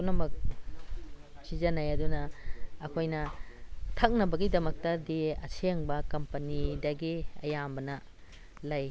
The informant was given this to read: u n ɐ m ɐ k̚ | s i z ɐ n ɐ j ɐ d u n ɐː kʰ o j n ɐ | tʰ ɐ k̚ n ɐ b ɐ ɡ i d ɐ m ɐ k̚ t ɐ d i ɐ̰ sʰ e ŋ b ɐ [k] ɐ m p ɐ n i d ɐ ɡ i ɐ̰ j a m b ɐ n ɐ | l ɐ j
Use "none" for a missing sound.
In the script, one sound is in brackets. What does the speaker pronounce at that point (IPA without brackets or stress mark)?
k